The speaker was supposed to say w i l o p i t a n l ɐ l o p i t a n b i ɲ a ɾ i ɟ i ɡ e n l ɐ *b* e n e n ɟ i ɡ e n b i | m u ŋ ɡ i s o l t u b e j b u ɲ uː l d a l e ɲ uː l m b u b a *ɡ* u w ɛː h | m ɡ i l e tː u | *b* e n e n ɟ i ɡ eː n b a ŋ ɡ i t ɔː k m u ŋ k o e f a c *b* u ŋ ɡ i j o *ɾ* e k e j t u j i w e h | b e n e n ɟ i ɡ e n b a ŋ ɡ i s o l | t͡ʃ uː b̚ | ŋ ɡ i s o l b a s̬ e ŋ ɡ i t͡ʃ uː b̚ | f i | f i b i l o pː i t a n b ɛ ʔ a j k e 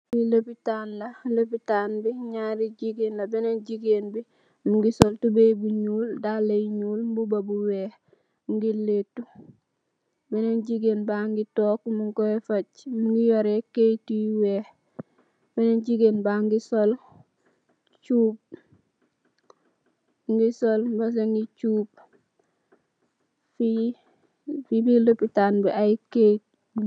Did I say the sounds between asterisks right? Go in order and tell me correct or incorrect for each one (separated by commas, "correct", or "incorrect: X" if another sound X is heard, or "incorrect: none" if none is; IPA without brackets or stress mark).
correct, incorrect: b, correct, incorrect: m, correct